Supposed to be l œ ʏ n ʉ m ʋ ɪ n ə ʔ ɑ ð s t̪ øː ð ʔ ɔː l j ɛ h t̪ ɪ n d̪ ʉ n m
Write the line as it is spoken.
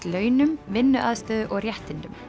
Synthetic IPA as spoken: l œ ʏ n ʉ m ʋ ɪ n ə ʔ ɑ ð s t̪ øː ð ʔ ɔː ɾ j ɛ h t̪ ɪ n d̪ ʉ m